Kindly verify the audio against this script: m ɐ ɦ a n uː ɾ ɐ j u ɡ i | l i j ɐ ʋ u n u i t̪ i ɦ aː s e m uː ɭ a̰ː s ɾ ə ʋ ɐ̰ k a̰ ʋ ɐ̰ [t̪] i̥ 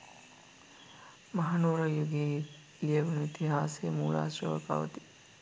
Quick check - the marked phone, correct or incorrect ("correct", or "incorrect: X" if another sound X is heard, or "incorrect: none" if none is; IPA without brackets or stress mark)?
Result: correct